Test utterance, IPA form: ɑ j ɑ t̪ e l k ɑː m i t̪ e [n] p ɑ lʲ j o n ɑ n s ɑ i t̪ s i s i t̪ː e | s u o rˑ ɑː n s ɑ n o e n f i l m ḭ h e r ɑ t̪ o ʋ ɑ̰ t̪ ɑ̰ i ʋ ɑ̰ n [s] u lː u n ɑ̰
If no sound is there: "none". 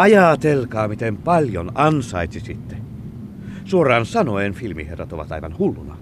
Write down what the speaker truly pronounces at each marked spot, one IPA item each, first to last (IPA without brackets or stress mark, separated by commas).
m, h